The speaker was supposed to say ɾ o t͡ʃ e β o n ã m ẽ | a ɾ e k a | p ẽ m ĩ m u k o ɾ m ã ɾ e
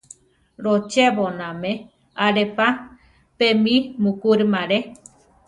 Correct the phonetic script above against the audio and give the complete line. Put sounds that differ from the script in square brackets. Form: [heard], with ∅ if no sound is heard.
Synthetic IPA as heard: ɾ o t͡ʃ e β o n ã m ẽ | a ɾ e [p] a | p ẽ m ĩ m u k [u] ɾ m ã ɾ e